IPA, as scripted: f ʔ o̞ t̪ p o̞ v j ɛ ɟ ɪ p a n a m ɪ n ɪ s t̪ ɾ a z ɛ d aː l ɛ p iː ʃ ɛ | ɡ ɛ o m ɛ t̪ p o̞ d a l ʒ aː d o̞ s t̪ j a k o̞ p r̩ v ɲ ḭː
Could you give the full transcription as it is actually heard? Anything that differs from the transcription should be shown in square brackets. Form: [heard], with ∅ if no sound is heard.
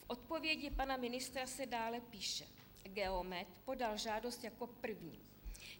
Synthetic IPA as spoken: f ʔ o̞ t̪ p o̞ v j ɛ ɟ ɪ p a n a m ɪ n ɪ s t̪ ɾ a [s] ɛ d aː l ɛ p iː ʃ ɛ | ɡ ɛ o m ɛ t̪ p o̞ d a l ʒ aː d o̞ s t̪ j a k o̞ p r̩ v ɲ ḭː